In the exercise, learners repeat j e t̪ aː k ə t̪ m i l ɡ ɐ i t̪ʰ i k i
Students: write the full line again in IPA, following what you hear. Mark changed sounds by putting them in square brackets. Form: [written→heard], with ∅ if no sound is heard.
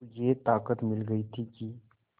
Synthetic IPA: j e t̪ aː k ə t̪ m [i→ɪ] l ɡ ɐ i t̪ʰ i k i